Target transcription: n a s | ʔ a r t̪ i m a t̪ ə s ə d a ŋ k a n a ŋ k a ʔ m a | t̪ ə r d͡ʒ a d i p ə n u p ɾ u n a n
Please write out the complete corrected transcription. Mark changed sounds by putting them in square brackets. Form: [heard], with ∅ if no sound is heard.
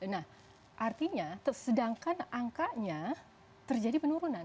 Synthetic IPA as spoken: n a [h] | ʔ a r t̪ i [ɲ] a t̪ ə s ə d a ŋ k a n a ŋ k a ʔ [ɲ] a | t̪ ə r d͡ʒ a d i p ə n u [∅] ɾ u n a n